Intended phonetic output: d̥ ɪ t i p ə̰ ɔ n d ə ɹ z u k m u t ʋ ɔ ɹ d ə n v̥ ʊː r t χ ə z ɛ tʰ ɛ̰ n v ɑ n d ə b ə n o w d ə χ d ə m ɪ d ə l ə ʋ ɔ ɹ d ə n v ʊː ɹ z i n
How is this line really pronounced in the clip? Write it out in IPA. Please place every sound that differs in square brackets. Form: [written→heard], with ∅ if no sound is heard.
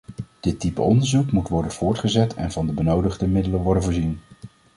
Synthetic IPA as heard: d̥ ɪ t i p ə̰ ɔ n d ə ɹ z u k m u t ʋ ɔ ɹ d ə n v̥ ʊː [r→ɹ] t χ ə z ɛ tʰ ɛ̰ n v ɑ n d ə b ə n o w d ə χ d ə m ɪ d ə l ə ʋ ɔ ɹ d ə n v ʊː ɹ z i n